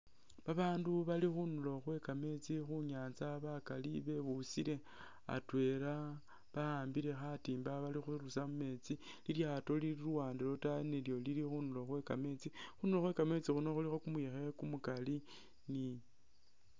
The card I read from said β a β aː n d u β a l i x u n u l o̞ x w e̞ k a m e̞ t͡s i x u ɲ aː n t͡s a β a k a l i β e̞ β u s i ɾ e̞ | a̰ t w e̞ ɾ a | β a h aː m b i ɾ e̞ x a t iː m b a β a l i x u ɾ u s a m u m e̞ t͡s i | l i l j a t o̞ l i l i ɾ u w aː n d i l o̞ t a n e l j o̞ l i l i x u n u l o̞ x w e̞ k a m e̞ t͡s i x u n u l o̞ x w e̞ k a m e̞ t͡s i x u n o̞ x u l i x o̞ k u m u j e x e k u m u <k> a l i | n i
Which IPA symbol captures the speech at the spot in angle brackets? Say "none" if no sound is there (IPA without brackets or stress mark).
k